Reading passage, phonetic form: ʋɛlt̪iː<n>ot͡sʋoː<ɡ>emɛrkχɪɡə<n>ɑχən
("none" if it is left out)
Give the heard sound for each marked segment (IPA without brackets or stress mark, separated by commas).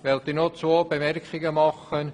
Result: n, b, m